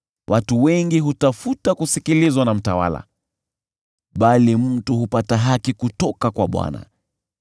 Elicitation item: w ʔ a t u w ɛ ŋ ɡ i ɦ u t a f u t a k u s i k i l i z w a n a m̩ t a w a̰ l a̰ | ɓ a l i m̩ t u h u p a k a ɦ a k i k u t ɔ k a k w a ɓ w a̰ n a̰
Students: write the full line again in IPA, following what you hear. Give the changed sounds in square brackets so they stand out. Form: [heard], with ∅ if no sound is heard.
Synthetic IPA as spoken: w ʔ a t u w ɛ ŋ ɡ i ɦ u t a f u t a k u s i k i l i z w a n a m̩ t a w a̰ l a̰ | ɓ a l i m̩ t u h u p a [t] a ɦ a k i k u t ɔ k a k w a ɓ w a̰ n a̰